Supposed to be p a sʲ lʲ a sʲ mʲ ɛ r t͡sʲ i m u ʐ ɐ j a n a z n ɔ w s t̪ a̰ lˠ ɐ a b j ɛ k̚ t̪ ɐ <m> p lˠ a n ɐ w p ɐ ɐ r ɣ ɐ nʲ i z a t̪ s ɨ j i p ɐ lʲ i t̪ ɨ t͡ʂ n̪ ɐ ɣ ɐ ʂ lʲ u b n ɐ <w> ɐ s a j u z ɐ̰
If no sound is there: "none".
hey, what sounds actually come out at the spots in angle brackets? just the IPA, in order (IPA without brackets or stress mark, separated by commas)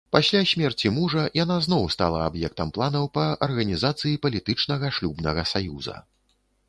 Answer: m, ɣ